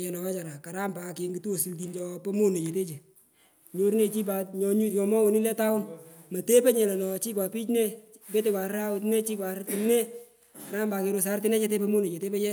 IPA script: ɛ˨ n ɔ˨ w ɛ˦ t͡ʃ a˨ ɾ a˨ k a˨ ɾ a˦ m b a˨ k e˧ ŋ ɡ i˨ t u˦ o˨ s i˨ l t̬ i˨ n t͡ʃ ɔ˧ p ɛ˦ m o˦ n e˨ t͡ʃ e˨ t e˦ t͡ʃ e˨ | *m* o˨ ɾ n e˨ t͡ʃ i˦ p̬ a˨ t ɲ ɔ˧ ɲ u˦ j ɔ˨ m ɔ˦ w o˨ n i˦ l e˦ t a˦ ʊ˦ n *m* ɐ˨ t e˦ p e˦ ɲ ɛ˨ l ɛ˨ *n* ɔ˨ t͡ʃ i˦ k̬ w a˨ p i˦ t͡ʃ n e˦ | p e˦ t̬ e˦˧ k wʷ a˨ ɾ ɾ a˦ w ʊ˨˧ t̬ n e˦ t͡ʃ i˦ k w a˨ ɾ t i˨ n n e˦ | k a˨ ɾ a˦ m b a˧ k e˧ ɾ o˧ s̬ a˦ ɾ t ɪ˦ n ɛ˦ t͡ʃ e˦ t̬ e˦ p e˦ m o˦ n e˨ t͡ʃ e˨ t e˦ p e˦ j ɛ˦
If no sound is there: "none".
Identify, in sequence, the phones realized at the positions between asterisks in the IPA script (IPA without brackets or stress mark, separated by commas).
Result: ɲ, m, n